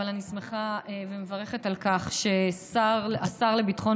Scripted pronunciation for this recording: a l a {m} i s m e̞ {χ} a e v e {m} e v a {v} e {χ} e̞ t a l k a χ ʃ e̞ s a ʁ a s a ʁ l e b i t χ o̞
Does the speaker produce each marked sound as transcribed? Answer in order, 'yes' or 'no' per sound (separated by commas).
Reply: no, yes, yes, no, yes